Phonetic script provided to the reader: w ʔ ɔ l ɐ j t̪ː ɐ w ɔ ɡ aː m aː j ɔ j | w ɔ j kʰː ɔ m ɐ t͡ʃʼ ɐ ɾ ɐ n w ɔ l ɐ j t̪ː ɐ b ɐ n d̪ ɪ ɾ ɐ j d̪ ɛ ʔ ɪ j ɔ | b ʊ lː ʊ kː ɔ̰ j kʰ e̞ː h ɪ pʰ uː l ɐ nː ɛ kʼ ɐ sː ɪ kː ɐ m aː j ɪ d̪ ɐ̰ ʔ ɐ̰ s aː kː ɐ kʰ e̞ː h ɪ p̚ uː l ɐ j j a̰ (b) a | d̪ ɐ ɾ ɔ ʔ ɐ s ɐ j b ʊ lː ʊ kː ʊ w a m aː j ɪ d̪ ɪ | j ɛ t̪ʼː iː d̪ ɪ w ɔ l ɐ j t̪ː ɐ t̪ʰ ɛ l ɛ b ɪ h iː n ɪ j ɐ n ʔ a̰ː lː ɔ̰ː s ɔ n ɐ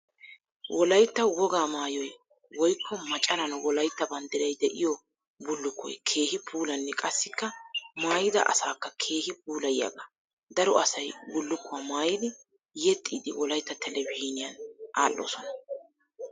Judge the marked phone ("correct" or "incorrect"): incorrect